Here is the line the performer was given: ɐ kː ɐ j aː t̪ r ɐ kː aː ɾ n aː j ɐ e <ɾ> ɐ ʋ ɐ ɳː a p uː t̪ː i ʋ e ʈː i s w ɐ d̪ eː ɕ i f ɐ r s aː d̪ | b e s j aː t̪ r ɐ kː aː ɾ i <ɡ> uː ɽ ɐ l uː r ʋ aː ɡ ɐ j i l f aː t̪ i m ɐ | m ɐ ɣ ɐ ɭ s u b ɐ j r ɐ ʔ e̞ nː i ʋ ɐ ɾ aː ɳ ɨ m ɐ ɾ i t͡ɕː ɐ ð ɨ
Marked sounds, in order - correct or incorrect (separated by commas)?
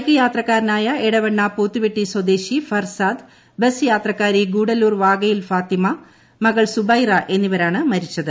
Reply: incorrect, correct